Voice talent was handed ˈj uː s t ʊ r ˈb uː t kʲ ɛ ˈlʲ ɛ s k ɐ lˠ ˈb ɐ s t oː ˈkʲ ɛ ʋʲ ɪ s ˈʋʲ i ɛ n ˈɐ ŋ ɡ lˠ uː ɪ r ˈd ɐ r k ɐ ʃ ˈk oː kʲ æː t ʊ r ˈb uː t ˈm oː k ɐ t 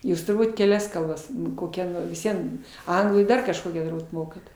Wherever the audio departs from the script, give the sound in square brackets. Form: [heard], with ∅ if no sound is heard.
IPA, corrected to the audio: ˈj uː s t ʊ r ˈb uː t kʲ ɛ ˈlʲ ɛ s k ɐ lˠ ˈb ɐ s [k] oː ˈkʲ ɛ ʋʲ ɪ s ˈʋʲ i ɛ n ˈɐ ŋ ɡ lˠ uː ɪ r ˈd ɐ r k ɐ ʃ ˈk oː kʲ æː t ʊ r ˈb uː t ˈm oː k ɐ t